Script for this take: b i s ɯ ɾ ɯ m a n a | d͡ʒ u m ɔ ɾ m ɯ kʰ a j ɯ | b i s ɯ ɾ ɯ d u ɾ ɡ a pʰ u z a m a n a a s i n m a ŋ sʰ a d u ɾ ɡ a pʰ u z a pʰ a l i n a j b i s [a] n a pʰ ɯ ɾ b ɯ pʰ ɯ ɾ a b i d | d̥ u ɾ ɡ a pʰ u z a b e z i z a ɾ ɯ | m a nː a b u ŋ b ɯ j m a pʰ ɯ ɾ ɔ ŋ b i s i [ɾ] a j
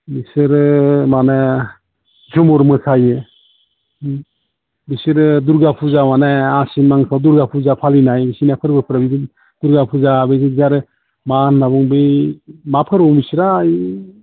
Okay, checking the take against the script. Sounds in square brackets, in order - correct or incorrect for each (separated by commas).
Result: incorrect, correct